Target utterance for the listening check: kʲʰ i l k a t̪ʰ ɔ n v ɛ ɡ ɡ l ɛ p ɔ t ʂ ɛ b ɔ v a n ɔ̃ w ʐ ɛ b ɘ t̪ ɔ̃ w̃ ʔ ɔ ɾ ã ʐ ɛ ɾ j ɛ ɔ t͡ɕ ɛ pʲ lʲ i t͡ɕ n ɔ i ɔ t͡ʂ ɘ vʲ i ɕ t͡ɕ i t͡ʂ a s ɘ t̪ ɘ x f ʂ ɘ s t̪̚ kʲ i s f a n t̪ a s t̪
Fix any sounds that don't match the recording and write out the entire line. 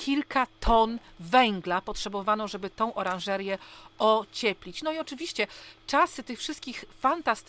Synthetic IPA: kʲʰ i l k a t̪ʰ ɔ n v ɛ ŋ ɡ l a p ɔ t ʂ ɛ b ɔ v a n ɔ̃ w ʐ ɛ b ɘ t̪ ɔ̃ w̃ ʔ ɔ ɾ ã ʐ ɛ ɾ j ɛ ɔ t͡ɕ ɛ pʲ lʲ i t͡ɕ n ɔ i ɔ t͡ʂ ɘ vʲ i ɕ t͡ɕ ɛ t͡ʂ a s ɘ t̪ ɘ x f ʂ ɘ s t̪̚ kʲ i x f a n t̪ a s t̪